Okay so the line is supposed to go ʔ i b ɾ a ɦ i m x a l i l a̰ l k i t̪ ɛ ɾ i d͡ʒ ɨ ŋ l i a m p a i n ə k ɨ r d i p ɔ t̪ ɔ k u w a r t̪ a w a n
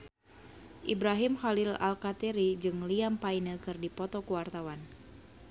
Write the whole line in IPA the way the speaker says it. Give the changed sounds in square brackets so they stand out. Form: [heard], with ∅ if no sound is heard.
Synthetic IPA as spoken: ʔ i b ɾ a ɦ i m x a l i l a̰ l k [a] t̪ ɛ ɾ i d͡ʒ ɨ ŋ l i a m p a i n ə k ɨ r d i p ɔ t̪ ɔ k u w a r t̪ a w a n